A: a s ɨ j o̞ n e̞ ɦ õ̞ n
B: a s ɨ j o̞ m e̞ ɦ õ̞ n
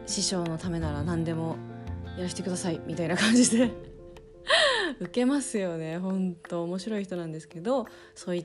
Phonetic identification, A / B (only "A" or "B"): A